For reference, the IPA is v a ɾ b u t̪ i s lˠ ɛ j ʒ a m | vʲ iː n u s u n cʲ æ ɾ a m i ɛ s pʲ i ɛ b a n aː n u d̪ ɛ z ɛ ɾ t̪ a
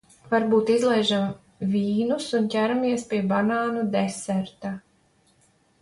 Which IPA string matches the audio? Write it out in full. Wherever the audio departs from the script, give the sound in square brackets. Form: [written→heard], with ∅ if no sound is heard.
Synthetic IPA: v a ɾ b [u→uː] t̪ i [s→z] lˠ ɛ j ʒ a m | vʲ iː n u s u n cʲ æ ɾ a m i ɛ s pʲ i ɛ b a n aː n u d̪ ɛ [z→s] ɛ ɾ t̪ a